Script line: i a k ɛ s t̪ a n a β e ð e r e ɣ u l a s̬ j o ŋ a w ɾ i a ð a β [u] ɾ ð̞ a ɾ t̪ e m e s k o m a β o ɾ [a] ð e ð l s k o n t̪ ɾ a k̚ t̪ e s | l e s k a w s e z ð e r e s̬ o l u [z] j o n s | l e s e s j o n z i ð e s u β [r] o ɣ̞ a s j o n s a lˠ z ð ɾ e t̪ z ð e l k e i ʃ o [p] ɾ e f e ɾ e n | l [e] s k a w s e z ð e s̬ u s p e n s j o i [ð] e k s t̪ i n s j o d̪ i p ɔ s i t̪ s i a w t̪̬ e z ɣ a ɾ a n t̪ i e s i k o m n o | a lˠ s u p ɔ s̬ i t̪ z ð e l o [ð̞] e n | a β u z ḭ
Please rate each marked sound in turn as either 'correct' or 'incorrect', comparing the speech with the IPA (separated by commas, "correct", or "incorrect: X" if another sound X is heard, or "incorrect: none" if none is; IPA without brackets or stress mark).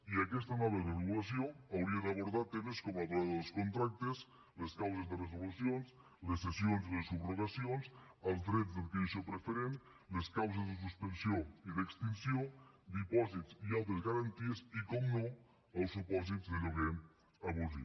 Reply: incorrect: o, correct, incorrect: s, correct, correct, correct, correct, incorrect: ɣ̞